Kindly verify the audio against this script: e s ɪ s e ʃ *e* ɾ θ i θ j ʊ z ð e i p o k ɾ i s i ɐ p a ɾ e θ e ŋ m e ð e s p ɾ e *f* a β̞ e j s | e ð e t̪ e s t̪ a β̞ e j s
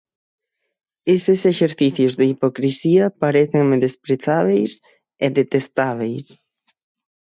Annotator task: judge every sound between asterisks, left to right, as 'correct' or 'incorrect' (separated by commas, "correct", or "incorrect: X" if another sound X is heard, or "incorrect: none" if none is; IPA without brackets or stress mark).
correct, incorrect: θ